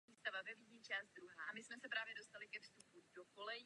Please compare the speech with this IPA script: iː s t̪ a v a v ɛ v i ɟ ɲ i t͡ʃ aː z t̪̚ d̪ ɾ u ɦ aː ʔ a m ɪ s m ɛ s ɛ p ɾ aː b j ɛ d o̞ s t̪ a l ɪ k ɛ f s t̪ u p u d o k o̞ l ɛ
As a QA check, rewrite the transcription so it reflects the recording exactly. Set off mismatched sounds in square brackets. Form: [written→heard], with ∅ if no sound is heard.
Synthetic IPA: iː s t̪ a v a v ɛ v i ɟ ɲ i t͡ʃ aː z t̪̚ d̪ ɾ u ɦ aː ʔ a m ɪ s m ɛ s ɛ p ɾ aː [b→v] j ɛ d o̞ s t̪ a l ɪ k ɛ f s t̪ u p u d o k o̞ l ɛ